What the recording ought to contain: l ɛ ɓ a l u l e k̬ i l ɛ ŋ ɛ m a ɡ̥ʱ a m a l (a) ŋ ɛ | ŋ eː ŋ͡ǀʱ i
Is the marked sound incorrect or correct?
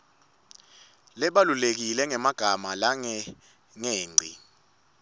correct